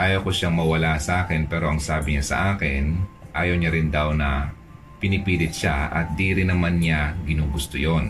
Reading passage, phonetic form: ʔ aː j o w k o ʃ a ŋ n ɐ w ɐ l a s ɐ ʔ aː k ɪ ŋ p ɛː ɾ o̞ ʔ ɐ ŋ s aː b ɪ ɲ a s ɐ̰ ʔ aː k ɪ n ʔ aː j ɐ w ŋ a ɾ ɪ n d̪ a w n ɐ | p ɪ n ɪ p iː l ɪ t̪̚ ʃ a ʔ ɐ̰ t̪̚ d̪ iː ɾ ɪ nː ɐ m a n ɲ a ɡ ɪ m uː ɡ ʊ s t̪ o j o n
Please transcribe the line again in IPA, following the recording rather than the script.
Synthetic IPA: ʔ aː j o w k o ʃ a ŋ m ɐ w ɐ l a s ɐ ʔ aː k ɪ n p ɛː ɾ o̞ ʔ ɐ ŋ s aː b ɪ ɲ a s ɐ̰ ʔ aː k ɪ n ʔ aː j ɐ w ɲ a ɾ ɪ n d̪ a w n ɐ | p ɪ n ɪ p iː l ɪ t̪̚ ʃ a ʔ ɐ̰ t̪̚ d̪ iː ɾ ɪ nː ɐ m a n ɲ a ɡ ɪ n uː ɡ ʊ s t̪ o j o n